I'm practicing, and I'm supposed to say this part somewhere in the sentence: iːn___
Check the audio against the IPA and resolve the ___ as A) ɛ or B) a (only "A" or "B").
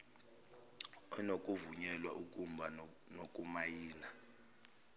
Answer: B